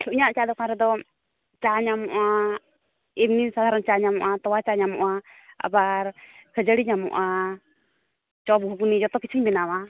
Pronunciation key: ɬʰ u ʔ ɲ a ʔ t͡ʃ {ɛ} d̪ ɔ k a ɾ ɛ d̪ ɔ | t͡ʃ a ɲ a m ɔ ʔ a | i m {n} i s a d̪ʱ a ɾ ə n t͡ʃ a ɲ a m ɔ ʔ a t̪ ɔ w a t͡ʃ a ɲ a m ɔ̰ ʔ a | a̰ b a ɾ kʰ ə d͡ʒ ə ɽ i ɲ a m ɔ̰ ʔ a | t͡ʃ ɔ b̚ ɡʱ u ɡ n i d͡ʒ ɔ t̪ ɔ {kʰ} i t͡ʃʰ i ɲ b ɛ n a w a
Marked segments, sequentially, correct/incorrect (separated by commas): incorrect, correct, incorrect